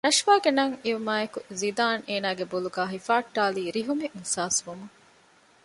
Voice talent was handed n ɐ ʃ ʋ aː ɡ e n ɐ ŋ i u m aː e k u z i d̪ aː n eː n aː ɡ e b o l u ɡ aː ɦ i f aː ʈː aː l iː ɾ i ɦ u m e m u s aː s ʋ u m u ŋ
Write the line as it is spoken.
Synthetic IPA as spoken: n ɐ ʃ ʋ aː ɡ e n ɐ ŋ i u m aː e k u z i d̪ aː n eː n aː ɡ e b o l u ɡ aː ɦ i f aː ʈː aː l iː ɾ i ɦ u m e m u s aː s ʋ u m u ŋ